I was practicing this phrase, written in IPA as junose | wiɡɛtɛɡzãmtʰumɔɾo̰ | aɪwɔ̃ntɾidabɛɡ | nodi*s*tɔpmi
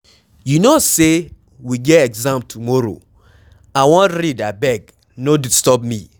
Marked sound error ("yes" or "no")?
no